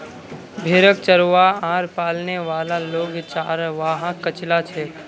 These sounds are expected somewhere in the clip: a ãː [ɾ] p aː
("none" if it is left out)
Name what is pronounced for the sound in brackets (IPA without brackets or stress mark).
ɾ